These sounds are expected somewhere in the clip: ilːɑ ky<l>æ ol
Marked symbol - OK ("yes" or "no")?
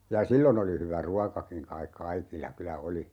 yes